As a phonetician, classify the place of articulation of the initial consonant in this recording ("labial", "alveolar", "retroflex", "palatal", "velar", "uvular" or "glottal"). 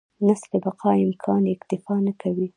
alveolar